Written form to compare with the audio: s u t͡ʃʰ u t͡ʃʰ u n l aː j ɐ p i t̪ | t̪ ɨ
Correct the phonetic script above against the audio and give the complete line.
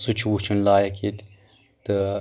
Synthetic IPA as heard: s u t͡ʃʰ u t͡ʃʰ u n l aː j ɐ k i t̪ | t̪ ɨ